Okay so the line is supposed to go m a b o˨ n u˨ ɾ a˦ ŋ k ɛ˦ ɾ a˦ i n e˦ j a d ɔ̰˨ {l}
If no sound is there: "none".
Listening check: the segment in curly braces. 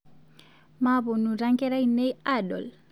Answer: l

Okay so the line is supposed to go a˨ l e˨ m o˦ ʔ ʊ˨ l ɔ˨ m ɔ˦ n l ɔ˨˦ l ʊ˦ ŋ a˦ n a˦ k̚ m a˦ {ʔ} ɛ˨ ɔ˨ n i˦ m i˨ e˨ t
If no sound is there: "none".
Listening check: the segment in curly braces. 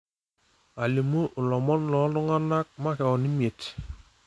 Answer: k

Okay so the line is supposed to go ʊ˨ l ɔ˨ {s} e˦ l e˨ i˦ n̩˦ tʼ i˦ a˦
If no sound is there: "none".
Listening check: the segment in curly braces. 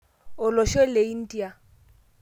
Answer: ʃ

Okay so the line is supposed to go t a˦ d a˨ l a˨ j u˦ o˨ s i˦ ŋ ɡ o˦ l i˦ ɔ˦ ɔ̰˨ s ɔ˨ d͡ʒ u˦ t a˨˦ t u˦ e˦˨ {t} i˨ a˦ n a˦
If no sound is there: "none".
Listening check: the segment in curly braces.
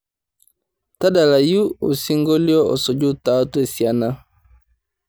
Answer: s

